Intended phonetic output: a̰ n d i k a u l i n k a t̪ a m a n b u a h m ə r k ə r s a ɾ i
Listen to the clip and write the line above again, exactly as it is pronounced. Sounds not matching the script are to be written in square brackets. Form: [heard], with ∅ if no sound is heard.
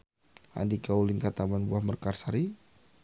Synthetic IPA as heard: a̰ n d i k a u l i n k a t̪ a m a n b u a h m ə r k [a] r s a ɾ i